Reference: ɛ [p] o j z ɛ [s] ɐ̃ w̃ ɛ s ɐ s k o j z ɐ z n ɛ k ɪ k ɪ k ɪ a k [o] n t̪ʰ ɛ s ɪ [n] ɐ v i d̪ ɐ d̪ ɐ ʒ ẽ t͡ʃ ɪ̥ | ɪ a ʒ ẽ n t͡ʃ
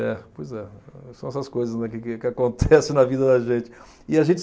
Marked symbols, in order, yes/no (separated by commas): yes, yes, no, yes